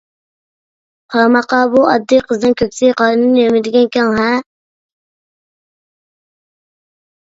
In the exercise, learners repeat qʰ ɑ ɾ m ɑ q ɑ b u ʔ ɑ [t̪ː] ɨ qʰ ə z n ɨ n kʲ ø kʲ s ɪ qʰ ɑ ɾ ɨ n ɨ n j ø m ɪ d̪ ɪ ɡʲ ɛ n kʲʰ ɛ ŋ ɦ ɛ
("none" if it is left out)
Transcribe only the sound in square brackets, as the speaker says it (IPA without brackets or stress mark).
d̪ː